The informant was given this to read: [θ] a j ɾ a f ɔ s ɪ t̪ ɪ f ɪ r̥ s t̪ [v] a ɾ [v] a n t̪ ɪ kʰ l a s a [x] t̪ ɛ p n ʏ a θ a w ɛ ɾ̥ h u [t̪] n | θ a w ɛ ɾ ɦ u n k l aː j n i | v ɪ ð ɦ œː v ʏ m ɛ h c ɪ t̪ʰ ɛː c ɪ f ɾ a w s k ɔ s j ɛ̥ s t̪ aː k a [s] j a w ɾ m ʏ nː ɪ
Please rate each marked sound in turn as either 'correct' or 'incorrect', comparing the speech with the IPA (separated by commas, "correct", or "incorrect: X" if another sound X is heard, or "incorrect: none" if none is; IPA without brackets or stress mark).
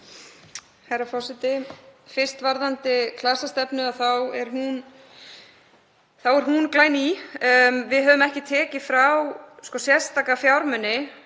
incorrect: h, correct, incorrect: ð, incorrect: s, incorrect: none, incorrect: f